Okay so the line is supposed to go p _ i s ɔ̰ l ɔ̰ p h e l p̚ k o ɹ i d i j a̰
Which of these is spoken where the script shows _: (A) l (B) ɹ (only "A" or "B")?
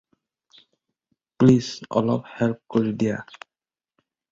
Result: A